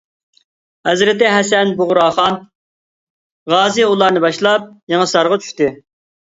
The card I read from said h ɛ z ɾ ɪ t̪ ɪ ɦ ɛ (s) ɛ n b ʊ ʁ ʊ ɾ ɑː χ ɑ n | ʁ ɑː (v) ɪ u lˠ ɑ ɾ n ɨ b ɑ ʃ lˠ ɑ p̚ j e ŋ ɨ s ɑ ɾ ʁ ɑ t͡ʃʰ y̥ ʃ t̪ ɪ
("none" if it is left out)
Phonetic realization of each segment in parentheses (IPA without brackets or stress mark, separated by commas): s, z